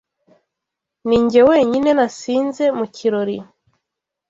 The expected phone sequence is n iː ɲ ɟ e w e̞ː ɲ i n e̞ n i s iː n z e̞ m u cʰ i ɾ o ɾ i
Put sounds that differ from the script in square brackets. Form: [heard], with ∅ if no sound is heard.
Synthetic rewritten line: n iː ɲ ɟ e w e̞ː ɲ i n e̞ n [a] s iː n z e̞ m u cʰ i ɾ o ɾ i